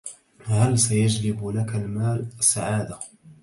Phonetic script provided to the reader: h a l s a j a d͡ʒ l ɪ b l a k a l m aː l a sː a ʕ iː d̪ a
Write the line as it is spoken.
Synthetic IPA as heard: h a l s a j a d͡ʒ l ɪ b l a k a l m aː l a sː a ʕ aː d̪ a